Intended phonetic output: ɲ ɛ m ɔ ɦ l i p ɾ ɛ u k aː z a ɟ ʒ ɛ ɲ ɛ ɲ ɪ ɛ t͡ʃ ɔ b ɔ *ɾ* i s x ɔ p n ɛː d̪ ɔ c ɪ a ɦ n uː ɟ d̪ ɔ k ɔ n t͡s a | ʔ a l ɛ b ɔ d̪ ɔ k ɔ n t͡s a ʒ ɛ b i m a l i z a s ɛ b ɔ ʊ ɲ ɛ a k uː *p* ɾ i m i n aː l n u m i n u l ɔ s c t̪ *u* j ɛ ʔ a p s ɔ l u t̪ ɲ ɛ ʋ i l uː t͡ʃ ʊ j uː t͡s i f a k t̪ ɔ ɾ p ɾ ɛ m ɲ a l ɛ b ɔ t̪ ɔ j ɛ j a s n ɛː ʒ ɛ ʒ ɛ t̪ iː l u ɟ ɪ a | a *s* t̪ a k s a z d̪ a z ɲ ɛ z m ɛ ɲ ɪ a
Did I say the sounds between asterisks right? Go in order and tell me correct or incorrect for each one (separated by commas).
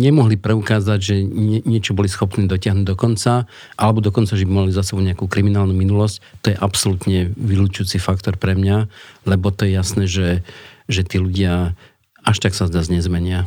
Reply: incorrect, incorrect, incorrect, incorrect